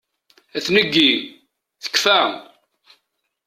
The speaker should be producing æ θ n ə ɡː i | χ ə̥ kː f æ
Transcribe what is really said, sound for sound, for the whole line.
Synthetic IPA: æ θ n ə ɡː i | θ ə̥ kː f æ